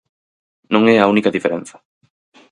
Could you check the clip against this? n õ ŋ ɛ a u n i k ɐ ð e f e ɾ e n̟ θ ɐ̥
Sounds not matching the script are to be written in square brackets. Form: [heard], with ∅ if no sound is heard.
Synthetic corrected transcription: n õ ŋ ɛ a u n i k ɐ ð [i] f e ɾ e n̟ θ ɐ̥